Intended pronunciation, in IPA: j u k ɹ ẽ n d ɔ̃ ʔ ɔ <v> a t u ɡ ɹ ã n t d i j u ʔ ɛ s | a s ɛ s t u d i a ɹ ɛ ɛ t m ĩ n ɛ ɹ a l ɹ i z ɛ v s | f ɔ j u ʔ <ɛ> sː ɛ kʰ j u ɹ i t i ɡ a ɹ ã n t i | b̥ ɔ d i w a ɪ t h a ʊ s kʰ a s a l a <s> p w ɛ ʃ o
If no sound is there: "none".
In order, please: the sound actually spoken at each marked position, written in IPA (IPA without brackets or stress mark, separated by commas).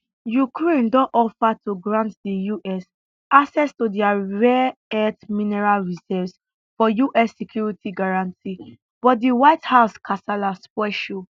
f, ɛ, s